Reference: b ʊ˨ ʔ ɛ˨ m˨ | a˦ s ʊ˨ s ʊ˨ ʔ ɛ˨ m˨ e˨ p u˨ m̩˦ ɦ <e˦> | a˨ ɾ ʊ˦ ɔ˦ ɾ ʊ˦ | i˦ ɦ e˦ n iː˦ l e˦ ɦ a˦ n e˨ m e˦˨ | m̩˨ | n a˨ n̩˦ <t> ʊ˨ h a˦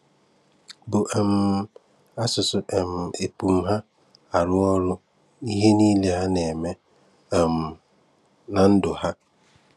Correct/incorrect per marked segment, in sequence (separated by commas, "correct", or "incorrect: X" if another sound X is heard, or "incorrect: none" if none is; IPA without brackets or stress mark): incorrect: a˦, incorrect: d